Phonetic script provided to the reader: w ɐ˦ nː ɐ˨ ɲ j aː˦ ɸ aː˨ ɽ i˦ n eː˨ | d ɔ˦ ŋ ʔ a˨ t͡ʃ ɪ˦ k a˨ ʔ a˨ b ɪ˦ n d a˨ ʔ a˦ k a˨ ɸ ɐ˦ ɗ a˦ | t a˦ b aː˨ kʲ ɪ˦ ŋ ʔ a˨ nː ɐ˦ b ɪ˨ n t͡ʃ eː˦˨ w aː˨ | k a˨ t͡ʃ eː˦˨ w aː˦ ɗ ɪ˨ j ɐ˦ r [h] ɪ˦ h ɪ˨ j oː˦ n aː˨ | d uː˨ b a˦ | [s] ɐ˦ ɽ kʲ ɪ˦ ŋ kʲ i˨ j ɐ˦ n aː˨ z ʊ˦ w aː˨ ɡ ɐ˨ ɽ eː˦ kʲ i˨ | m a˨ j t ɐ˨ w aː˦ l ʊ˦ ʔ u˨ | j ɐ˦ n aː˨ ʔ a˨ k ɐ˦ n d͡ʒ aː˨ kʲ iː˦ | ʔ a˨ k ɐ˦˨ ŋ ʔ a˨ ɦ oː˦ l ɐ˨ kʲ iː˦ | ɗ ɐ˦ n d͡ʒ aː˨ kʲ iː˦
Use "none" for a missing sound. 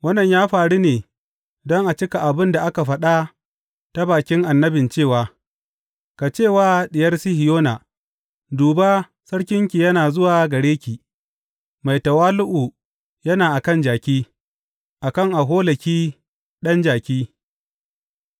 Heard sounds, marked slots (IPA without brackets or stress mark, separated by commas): s, s